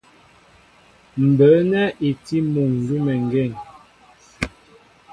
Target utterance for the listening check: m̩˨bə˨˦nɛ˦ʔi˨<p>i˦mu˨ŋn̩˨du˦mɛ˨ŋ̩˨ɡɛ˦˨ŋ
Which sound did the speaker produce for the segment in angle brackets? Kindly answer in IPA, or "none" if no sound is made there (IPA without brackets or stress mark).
t